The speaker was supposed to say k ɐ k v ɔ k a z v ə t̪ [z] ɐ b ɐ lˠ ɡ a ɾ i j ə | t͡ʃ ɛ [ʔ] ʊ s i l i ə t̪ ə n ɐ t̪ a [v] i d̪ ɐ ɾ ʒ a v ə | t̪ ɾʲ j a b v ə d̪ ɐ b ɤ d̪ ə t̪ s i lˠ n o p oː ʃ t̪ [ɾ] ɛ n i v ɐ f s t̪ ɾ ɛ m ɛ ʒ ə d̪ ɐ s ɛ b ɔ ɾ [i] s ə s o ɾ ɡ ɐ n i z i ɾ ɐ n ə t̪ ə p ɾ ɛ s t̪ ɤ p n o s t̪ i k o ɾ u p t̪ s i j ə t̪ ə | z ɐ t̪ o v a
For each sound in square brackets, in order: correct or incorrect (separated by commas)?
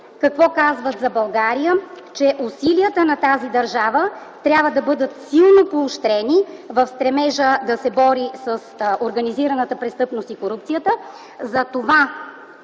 correct, correct, incorrect, correct, correct